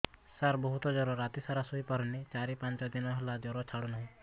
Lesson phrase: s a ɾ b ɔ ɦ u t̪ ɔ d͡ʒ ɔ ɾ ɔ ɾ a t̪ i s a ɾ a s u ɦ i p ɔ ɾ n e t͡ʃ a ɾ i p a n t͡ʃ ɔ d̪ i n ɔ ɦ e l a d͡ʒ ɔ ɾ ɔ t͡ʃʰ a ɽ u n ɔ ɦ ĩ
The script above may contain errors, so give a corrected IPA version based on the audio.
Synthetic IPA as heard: s a ɾ b ɔ ɦ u t̪ ɔ d͡ʒ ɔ ɾ ɔ ɾ a t̪ i s a ɾ a s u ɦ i p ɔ ɾ n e t͡ʃ a ɾ i p a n t͡ʃ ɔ d̪ i n ɔ ɦ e l a d͡ʒ ɔ ɾ ɔ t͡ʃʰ a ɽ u n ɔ ɦ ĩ